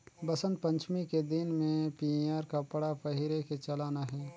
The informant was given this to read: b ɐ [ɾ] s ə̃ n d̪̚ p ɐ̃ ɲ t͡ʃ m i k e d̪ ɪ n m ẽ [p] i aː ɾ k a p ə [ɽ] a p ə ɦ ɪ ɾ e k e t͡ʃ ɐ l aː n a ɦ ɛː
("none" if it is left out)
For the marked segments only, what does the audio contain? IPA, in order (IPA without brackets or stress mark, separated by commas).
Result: none, p, ɽ